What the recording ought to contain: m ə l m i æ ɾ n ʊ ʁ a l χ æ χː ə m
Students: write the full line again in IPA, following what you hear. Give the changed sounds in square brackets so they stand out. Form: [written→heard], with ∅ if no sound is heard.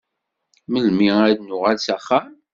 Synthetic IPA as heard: m ə l m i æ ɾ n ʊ ʁ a l [χ→s] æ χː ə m